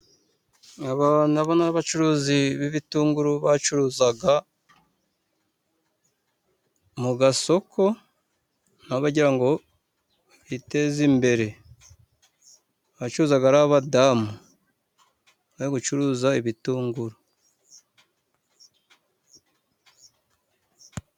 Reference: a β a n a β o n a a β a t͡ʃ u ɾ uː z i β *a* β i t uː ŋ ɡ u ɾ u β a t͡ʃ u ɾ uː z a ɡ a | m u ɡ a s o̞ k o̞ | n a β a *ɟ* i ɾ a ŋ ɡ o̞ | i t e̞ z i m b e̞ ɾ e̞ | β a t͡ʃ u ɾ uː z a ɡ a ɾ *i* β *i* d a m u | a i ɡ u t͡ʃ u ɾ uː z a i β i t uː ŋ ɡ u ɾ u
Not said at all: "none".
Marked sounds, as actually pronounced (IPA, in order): i, ɟ, a, a

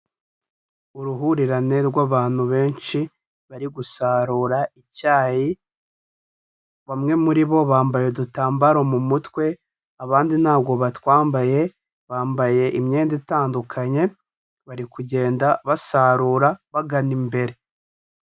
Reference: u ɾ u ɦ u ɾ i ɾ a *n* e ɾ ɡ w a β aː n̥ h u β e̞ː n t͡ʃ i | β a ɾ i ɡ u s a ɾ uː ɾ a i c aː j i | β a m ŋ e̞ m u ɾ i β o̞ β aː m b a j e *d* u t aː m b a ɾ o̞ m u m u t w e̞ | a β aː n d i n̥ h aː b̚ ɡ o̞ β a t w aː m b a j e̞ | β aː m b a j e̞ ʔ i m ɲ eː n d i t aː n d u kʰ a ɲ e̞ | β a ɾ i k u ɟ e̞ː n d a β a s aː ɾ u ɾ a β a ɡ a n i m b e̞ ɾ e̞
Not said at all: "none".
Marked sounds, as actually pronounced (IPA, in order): n, d

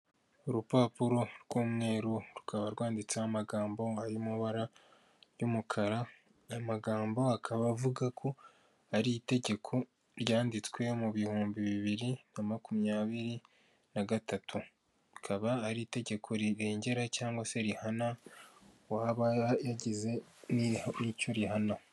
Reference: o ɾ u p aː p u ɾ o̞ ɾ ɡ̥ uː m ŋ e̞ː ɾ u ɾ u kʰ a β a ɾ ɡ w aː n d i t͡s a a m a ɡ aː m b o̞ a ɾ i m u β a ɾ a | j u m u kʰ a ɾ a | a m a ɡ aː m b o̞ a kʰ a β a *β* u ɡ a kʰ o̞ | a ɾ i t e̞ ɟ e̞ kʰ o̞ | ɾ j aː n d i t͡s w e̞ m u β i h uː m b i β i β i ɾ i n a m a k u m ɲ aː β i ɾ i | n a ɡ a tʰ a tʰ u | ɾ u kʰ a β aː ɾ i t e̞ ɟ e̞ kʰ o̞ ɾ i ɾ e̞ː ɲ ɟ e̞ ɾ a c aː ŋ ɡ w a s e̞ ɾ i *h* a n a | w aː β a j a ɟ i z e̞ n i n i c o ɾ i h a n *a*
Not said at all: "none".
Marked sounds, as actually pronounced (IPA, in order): v, h, a

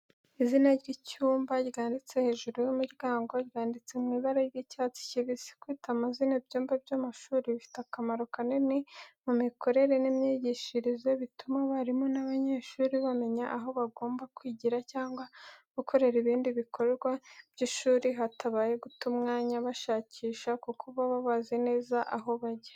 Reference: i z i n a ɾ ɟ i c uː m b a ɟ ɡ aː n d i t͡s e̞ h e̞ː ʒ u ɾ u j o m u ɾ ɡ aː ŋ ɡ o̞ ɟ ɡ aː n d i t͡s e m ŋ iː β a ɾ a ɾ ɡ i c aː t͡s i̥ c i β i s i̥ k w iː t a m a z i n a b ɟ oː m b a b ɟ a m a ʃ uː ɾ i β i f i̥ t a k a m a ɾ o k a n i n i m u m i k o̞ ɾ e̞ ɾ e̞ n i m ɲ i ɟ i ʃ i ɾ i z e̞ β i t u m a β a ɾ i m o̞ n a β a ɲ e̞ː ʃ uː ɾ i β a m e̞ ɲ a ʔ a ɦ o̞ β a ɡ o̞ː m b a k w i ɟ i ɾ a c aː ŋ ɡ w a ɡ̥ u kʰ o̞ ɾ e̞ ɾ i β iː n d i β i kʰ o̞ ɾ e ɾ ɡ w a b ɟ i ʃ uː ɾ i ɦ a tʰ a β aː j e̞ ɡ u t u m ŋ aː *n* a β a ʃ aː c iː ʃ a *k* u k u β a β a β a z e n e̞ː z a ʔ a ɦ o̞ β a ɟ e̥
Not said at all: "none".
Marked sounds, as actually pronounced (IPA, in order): ɲ, k

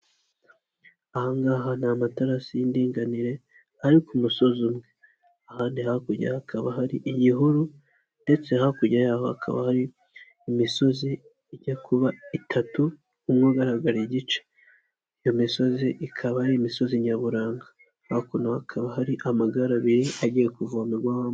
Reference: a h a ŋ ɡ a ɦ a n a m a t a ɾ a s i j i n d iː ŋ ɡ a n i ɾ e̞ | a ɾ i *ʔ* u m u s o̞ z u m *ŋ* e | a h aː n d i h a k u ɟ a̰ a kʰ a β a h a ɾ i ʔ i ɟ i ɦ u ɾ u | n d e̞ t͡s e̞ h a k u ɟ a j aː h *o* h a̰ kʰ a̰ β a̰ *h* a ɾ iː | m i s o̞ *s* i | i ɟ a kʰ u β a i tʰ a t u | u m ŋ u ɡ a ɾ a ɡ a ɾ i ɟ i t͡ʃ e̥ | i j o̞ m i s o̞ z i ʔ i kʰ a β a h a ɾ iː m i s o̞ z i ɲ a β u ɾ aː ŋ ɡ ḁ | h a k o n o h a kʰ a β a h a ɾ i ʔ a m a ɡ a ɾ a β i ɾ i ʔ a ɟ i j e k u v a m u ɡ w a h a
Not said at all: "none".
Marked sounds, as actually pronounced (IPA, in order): k, ŋ, o, h, z

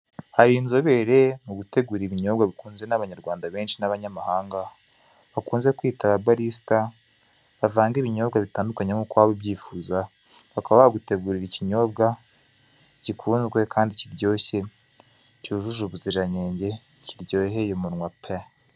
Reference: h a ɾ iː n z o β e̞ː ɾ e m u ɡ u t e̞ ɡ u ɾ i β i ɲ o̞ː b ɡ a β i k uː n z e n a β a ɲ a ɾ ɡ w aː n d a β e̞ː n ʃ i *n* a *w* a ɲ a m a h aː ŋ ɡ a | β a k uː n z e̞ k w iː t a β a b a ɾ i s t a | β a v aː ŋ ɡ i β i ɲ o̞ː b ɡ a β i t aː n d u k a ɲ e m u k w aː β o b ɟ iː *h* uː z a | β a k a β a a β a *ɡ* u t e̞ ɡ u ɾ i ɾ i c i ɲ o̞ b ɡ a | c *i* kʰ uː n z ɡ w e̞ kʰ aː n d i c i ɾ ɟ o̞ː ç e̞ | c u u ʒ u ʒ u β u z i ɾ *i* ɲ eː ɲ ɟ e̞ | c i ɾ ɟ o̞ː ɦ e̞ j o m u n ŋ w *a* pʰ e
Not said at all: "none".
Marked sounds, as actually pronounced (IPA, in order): n, β, f, ɡ, i, a, a

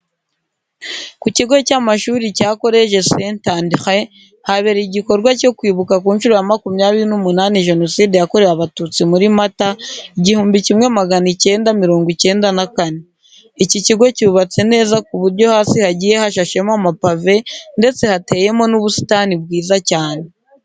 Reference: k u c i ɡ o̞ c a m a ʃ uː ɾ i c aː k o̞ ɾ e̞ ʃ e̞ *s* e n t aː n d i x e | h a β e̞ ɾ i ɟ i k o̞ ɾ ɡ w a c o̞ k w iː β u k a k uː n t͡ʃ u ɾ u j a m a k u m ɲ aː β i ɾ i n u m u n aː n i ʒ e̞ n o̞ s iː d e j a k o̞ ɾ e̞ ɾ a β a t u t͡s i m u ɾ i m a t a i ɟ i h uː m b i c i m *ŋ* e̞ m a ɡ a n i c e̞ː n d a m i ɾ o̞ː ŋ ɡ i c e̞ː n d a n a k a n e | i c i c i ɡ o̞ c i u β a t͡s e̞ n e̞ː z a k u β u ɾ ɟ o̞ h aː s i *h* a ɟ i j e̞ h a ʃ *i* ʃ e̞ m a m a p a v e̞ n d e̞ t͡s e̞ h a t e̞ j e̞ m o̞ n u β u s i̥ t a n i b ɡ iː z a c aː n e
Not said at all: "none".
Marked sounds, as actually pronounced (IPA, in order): s, ŋ, h, a

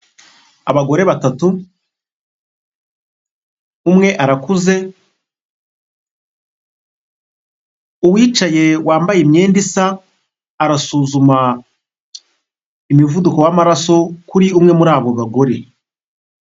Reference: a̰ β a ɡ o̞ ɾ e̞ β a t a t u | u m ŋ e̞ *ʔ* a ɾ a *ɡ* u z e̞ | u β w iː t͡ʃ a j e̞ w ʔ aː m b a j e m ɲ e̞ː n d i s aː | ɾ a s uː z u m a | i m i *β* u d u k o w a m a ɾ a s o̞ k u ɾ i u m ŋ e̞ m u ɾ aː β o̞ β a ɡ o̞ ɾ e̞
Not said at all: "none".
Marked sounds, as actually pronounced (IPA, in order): ʔ, k, v

